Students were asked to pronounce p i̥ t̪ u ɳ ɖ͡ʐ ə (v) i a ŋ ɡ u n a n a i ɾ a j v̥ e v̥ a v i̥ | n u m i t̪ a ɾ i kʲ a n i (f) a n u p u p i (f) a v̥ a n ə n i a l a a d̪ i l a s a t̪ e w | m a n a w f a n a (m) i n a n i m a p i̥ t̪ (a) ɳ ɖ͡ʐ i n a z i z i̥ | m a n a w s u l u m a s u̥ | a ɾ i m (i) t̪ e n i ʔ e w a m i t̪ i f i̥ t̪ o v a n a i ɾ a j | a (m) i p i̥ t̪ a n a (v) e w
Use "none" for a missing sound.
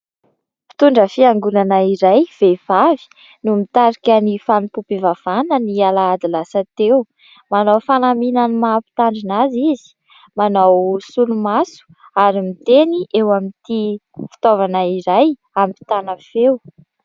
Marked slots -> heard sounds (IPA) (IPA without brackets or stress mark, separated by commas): f, f, v, m, a, i, m, f